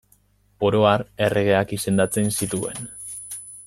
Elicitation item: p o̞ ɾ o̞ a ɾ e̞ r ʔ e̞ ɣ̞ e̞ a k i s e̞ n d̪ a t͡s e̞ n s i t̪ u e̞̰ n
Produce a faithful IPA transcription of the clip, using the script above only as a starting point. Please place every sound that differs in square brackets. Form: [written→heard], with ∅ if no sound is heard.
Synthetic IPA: p o̞ ɾ o̞ a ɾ e̞ r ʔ e̞ ɣ̞ e̞ a k i s e̞ n d̪ a t͡s e̞ n s i t̪ u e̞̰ n